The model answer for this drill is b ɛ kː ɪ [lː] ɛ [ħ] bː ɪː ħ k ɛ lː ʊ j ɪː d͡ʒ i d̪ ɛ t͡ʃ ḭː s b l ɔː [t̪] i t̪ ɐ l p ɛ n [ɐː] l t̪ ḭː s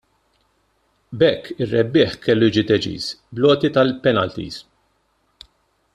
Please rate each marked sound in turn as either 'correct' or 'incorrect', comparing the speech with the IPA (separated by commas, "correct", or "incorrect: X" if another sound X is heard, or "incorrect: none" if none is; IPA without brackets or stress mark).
incorrect: rː, incorrect: none, correct, incorrect: ɐ